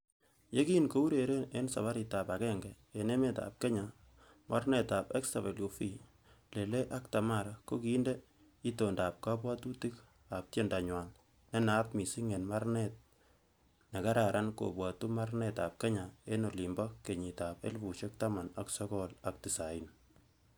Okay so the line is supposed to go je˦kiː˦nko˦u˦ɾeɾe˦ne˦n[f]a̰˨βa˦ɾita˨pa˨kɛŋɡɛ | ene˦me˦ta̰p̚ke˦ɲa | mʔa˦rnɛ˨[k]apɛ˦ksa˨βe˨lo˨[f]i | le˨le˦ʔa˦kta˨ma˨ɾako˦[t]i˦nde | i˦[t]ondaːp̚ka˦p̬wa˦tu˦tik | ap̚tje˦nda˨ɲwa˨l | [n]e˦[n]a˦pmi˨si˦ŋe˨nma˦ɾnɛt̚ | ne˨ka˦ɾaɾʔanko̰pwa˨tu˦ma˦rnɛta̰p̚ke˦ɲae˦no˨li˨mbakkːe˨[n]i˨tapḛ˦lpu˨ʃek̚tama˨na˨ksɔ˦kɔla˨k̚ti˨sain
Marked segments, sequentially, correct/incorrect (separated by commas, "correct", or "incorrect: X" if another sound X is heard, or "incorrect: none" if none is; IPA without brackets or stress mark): incorrect: s, incorrect: t, correct, incorrect: k, correct, correct, correct, incorrect: ɲ